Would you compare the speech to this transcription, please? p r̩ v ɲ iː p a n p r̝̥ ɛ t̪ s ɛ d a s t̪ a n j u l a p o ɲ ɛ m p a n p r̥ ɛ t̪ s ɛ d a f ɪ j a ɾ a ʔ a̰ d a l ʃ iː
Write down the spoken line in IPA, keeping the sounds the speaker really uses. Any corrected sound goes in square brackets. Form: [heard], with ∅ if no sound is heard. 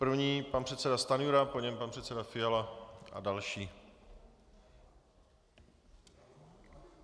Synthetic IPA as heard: p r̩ v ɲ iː p a n p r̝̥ ɛ t̪ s ɛ d a s t̪ a n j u [ɾ] a p o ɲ ɛ m p a n p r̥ ɛ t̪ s ɛ d a f ɪ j a [l] a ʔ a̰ d a l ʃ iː